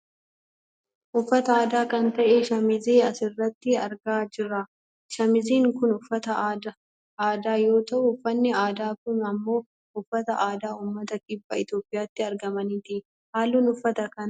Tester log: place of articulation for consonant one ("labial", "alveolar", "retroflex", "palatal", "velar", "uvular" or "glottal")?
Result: glottal